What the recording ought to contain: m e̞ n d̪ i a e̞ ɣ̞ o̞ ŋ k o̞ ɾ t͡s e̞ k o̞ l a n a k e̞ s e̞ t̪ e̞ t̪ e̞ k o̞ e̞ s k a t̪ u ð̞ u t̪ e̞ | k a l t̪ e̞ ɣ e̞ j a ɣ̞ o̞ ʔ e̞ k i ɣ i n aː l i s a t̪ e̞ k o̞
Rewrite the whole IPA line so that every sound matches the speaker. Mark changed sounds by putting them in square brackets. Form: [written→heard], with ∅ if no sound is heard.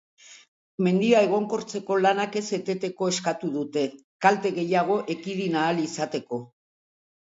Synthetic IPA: m e̞ n d̪ i a e̞ ɣ̞ o̞ ŋ k o̞ ɾ t͡s e̞ k o̞ l a n a k e̞ s e̞ t̪ e̞ t̪ e̞ k o̞ e̞ s k a t̪ u ð̞ u t̪ e̞ | k a l t̪ e̞ ɣ e̞ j a ɣ̞ o̞ ʔ e̞ k i [ɣ→ð] i n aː l i s a t̪ e̞ k o̞